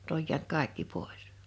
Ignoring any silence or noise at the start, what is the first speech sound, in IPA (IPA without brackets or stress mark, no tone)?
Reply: n̆